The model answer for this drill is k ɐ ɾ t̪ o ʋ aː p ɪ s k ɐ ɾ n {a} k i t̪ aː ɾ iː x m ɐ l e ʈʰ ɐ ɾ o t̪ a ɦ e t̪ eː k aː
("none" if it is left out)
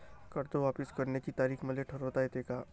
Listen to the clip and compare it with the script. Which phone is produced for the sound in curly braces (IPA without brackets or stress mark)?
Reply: e